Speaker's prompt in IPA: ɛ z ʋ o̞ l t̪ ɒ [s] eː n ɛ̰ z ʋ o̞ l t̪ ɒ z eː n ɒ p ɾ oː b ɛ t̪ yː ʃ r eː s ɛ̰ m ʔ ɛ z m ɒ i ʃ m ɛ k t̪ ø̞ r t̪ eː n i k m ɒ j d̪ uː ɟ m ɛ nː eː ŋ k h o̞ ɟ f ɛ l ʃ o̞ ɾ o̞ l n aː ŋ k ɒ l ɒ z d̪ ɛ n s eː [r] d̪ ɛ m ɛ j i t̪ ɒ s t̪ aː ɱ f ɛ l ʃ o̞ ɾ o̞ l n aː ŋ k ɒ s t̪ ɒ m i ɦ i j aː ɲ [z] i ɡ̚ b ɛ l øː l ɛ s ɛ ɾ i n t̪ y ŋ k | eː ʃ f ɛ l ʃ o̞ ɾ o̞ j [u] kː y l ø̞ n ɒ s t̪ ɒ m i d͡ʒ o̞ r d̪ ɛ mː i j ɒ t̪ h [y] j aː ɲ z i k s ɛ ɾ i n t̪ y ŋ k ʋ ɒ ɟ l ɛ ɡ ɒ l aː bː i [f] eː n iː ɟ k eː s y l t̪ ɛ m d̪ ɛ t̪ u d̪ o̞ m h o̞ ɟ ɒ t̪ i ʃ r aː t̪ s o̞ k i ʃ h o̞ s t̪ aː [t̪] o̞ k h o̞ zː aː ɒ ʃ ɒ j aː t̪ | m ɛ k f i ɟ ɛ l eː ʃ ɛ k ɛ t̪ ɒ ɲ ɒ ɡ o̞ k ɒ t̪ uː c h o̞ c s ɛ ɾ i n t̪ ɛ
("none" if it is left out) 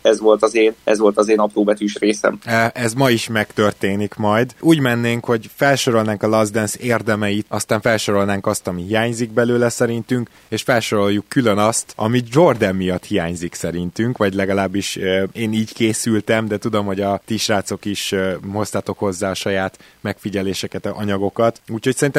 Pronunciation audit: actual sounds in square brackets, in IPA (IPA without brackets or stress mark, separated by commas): z, r, z, u, i, ʃ, t̪